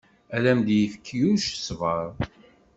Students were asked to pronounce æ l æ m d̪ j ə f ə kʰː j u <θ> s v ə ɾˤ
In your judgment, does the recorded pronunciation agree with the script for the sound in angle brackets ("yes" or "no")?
no